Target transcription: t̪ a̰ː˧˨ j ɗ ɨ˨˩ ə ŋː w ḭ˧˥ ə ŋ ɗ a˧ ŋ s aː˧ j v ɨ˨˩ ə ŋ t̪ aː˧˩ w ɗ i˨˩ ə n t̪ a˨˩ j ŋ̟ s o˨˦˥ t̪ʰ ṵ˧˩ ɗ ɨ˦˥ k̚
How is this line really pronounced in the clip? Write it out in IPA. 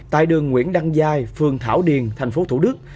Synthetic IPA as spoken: t̪ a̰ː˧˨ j ɗ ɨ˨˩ ə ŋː w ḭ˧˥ ə n ɗ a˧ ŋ z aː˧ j f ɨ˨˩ ə ŋ t̪ʰ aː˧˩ w ɗ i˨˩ ə n t̪ʰ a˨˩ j ŋ̟ f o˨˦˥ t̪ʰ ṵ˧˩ ɗ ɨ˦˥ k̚